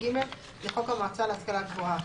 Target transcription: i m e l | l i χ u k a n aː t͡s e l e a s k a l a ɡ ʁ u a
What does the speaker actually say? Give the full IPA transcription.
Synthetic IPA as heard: i m e l | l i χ o k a m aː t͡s a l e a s k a l a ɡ v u a